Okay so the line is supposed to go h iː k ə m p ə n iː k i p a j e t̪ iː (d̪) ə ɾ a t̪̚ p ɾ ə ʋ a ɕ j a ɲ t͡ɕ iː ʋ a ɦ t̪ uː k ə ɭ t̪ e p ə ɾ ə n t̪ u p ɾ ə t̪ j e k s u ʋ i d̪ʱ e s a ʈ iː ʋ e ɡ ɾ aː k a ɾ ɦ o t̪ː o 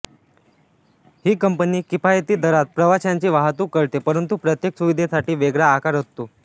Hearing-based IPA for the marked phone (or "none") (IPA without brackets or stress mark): d̪